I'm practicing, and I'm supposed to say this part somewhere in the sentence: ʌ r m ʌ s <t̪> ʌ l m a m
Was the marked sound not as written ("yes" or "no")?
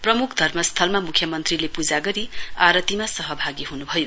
yes